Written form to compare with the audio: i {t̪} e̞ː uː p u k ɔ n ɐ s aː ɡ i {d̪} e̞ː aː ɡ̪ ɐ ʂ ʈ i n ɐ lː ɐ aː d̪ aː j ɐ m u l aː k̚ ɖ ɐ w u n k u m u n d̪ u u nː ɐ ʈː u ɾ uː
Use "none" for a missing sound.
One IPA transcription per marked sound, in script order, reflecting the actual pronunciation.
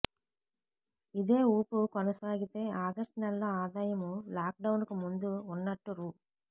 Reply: d̪, t̪

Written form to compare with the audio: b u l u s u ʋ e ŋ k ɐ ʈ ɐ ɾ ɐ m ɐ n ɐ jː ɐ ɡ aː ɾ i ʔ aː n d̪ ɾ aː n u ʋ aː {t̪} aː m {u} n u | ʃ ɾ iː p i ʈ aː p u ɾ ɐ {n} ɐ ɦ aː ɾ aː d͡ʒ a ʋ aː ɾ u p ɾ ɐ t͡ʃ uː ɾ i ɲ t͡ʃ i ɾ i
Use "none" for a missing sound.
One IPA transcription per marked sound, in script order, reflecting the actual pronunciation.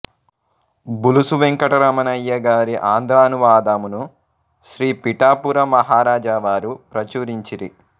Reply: d̪, u, m

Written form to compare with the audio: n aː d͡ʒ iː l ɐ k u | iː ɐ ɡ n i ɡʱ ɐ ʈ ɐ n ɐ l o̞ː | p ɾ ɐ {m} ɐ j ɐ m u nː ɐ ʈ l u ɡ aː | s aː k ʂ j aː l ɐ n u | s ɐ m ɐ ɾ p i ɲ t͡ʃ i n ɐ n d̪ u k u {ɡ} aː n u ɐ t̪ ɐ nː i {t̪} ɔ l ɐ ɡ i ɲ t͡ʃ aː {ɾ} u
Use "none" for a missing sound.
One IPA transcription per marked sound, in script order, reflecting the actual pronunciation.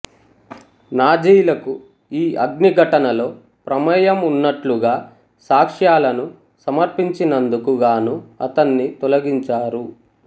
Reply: m, ɡ, t̪, ɾ

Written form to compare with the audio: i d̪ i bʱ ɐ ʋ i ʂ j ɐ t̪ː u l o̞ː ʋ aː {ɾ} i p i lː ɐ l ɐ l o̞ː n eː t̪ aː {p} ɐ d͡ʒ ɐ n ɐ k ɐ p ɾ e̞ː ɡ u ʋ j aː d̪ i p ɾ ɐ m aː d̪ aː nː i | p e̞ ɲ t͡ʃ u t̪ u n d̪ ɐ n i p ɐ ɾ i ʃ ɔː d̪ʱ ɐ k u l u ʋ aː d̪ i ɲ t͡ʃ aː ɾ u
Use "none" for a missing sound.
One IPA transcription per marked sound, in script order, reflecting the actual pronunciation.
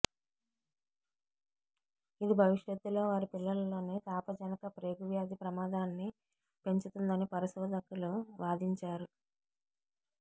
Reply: ɾ, p

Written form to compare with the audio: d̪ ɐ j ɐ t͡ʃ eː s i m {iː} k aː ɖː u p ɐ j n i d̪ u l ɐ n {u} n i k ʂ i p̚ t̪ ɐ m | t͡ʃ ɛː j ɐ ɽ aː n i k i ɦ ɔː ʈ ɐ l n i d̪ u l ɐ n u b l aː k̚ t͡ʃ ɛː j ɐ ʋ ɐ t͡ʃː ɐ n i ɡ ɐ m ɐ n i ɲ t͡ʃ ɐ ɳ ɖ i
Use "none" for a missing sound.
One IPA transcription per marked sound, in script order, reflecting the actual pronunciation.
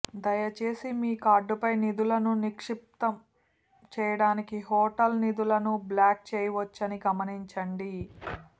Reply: iː, u

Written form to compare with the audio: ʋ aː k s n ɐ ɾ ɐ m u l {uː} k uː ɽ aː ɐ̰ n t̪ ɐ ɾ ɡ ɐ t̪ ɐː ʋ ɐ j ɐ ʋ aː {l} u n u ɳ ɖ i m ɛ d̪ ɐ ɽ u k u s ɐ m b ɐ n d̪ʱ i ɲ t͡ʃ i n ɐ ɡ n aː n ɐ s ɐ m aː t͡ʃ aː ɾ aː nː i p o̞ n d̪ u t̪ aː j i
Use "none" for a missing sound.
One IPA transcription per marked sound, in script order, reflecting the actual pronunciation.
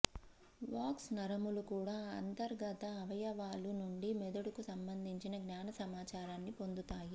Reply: u, l

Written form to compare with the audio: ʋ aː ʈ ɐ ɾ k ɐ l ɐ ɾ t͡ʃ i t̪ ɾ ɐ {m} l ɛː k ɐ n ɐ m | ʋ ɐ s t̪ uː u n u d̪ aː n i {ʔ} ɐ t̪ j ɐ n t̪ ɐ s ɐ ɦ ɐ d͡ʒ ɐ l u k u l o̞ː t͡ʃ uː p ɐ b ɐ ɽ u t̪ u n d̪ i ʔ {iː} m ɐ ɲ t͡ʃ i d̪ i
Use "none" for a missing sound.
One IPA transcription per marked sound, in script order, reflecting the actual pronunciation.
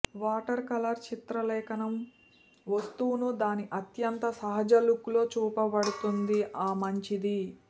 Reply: none, ʔ, aː

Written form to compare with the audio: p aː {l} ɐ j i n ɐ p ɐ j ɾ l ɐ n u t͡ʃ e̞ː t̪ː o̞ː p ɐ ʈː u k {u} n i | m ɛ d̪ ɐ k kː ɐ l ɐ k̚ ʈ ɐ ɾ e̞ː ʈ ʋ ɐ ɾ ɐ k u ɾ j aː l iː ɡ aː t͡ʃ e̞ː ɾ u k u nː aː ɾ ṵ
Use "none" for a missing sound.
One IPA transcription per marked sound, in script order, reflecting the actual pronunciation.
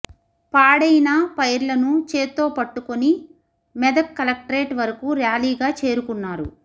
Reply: ɽ, o

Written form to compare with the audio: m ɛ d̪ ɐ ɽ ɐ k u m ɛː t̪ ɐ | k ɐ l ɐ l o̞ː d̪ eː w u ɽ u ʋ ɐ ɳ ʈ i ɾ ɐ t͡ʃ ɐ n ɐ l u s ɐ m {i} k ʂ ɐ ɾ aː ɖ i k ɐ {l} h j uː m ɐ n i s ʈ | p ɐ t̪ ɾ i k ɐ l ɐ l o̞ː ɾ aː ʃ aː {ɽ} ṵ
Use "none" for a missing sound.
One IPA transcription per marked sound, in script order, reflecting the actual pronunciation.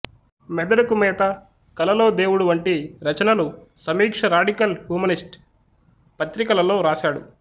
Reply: iː, l, ɽ

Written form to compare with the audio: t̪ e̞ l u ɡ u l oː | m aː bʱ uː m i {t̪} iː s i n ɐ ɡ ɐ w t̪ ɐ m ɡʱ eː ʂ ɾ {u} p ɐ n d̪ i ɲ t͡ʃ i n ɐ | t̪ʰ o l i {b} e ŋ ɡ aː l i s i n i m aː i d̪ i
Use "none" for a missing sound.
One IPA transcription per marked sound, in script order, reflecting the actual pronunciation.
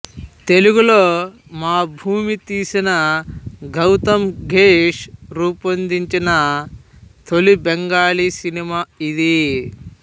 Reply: t̪, uː, b

